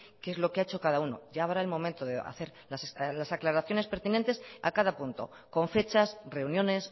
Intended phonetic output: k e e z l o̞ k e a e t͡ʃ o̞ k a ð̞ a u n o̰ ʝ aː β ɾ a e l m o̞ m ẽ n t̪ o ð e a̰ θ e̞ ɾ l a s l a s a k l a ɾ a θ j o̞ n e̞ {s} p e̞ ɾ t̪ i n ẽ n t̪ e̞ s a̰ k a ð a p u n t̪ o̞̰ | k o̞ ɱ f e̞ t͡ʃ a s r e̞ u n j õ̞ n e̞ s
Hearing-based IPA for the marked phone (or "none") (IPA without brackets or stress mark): s